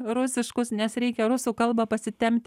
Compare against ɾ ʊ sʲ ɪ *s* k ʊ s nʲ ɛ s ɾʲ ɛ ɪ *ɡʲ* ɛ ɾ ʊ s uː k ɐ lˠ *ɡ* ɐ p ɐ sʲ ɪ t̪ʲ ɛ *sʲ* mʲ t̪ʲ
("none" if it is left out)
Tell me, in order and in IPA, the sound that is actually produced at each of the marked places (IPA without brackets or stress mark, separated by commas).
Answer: ʃ, kʲ, b, none